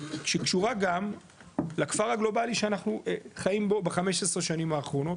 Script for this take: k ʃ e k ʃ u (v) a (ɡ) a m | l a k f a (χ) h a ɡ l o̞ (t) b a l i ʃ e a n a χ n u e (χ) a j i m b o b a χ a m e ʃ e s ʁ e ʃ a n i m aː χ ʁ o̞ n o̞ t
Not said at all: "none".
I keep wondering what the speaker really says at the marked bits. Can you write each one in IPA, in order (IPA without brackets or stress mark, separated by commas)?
ʁ, ɡ, ʁ, none, χ